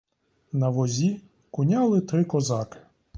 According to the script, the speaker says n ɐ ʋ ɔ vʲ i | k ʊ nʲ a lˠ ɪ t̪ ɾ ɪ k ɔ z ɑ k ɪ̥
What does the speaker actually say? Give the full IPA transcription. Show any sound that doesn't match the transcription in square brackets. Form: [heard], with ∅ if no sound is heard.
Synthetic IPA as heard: n ɐ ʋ ɔ [zʲ] i | k ʊ nʲ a lˠ ɪ t̪ ɾ ɪ k ɔ z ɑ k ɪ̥

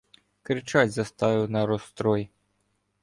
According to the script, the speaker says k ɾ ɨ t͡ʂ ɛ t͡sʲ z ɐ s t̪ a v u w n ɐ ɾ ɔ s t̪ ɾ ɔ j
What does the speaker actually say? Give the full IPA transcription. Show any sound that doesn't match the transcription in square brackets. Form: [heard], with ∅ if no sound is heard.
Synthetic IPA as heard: k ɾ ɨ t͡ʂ [a] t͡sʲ z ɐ s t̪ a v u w n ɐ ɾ ɔ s t̪ ɾ ɔ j

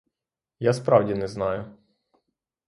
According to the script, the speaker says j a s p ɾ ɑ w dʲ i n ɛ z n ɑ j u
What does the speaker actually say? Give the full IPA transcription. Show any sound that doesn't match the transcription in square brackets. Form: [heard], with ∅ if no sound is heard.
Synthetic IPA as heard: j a s p ɾ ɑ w dʲ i n ɛ z n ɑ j [ʊ]

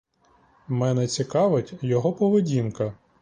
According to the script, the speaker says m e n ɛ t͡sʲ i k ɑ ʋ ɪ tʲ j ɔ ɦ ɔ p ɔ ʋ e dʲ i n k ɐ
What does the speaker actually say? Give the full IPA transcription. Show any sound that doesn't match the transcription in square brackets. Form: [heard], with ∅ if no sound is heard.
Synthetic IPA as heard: m [ɛ] n ɛ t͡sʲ i k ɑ ʋ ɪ tʲ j ɔ ɦ ɔ p ɔ ʋ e dʲ i n k ɐ

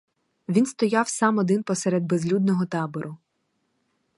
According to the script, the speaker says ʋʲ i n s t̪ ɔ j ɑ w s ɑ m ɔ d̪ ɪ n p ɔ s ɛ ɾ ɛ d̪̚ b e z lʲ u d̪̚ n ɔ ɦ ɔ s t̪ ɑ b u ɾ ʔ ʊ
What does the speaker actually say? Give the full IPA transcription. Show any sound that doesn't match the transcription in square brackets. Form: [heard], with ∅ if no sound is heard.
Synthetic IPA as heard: ʋʲ i n s t̪ ɔ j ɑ w s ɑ m ɔ d̪ ɪ n p ɔ s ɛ ɾ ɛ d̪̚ b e z lʲ u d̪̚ n ɔ ɦ ɔ [∅] t̪ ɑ b [ɔ] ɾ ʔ ʊ

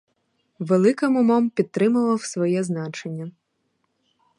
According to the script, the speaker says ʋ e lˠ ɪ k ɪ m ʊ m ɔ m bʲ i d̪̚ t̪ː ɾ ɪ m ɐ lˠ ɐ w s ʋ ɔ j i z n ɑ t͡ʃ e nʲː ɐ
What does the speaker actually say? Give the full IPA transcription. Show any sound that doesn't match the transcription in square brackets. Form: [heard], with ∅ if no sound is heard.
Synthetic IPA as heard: ʋ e lˠ ɪ k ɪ m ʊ m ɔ m [pʲ] i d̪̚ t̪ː ɾ ɪ m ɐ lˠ ɐ w s ʋ ɔ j [ɛ] z n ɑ t͡ʃ e nʲː ɐ

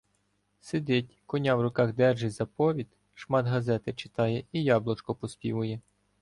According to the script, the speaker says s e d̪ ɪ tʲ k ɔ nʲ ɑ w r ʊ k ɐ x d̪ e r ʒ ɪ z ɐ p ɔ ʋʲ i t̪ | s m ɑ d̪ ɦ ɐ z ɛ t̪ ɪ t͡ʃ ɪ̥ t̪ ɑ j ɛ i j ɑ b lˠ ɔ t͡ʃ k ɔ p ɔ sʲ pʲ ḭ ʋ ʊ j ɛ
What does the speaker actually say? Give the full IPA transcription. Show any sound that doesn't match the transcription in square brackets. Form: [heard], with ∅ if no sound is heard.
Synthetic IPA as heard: s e d̪ ɪ tʲ k ɔ nʲ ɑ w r ʊ k [ɑ] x d̪ [ɛ] r ʒ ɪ z ɐ p ɔ ʋʲ i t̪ | [ʃ] m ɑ d̪ ɦ ɐ z ɛ t̪ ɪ t͡ʃ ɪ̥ t̪ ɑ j ɛ i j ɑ b lˠ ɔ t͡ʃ k ɔ p ɔ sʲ pʲ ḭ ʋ ʊ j ɛ

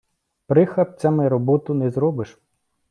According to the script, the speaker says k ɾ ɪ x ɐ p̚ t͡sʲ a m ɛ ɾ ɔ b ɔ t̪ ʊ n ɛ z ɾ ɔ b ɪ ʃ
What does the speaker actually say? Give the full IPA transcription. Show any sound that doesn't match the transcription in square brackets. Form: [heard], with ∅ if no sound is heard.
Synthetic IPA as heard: [p] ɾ ɪ x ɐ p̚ t͡sʲ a m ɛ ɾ ɔ b ɔ t̪ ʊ n ɛ z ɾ ɔ b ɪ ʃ

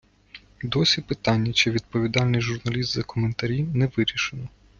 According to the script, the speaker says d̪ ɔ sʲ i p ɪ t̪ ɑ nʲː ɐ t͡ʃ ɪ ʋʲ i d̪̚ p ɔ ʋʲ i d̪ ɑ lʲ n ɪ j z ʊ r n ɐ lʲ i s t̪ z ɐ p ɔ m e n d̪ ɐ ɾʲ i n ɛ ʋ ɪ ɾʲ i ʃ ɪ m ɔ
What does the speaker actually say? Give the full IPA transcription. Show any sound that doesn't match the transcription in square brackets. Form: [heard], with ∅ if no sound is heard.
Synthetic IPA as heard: d̪ ɔ sʲ i p ɪ t̪ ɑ nʲː ɐ t͡ʃ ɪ ʋʲ i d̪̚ p ɔ ʋʲ i d̪ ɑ lʲ n ɪ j [ʒ] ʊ r n ɐ lʲ i s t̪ z ɐ [k] ɔ m e n [t̪] ɐ ɾʲ i n ɛ ʋ ɪ ɾʲ i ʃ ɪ [n] ɔ

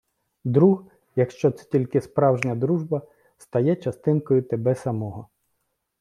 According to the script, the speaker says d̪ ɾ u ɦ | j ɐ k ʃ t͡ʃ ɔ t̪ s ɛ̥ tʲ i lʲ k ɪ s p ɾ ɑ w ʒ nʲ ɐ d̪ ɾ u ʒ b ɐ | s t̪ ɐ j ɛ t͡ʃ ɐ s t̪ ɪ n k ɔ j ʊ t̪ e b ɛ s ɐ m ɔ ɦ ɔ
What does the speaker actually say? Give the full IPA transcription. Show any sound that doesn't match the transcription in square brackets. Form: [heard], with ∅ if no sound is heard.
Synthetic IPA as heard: d̪ ɾ u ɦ | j ɐ k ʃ t͡ʃ ɔ t̪ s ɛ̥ tʲ i lʲ k ɪ s p ɾ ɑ w ʒ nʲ ɐ d̪ ɾ u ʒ b ɐ | s t̪ ɐ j ɛ t͡ʃ ɐ s t̪ ɪ n k ɔ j ʊ t̪ e b ɛ s ɐ m ɔ ɦ ɔ

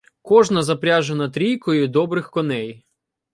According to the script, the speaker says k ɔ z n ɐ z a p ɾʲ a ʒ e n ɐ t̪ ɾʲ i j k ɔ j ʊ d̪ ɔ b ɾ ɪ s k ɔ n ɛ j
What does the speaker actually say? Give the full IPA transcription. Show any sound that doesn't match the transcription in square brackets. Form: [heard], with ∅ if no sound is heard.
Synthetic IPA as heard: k ɔ [ʒ] n ɐ z [ɐ] p ɾʲ a ʒ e n ɐ t̪ ɾʲ i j k ɔ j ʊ d̪ ɔ b ɾ ɪ [x] k ɔ n ɛ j

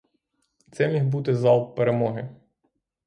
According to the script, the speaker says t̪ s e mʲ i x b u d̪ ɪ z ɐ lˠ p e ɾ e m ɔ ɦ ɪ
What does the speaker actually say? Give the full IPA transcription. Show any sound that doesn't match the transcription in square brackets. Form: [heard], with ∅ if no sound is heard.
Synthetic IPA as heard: t̪ s [ɛ] mʲ i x b u [t̪] ɪ z [ɑ] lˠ p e ɾ e m ɔ ɦ ɪ

